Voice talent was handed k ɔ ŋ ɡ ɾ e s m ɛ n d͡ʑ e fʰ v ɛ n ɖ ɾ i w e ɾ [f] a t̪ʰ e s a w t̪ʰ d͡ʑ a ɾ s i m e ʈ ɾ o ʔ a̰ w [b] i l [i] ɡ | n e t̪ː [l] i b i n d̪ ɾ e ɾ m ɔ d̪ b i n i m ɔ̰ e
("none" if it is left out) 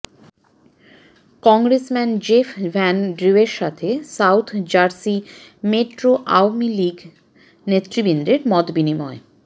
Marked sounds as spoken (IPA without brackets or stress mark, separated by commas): ʃ, m, i, ɾ